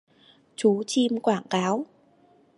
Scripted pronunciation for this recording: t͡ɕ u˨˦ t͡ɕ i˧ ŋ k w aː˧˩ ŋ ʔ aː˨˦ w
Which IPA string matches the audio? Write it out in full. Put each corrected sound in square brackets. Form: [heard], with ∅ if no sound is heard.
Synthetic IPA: t͡ɕ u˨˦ t͡ɕ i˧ [m] k w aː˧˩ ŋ [k] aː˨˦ w